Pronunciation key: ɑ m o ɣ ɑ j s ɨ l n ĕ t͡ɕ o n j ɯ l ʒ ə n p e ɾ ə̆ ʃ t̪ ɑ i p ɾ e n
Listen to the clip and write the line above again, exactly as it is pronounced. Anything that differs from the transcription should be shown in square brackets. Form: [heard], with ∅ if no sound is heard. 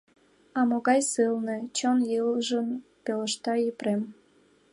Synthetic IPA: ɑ m o ɣ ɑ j s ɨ l n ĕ t͡ɕ o n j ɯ l ʒ ə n p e [l] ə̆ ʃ t̪ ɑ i p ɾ e [m]